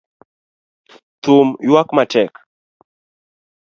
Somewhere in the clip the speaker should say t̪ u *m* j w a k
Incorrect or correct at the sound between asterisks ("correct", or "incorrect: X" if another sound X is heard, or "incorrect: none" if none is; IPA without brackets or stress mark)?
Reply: correct